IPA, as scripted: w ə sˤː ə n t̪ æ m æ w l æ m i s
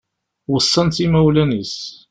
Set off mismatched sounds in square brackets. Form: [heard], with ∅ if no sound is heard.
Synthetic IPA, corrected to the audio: w ə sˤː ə n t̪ [i] m æ w l æ [n] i s